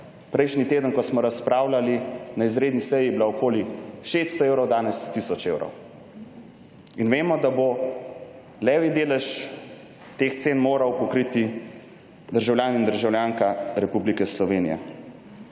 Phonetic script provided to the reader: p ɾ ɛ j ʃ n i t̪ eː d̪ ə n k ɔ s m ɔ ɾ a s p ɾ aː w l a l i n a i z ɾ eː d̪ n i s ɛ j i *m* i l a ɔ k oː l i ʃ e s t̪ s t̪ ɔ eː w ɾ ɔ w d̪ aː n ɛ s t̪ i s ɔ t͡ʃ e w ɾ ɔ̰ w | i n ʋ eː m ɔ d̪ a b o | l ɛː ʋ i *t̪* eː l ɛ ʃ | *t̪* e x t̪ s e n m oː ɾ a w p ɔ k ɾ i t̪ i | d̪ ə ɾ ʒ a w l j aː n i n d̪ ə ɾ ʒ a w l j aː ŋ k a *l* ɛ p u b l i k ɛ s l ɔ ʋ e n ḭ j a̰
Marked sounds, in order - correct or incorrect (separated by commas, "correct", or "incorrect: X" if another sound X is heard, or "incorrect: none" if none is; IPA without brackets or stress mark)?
incorrect: b, incorrect: d̪, correct, incorrect: ɾ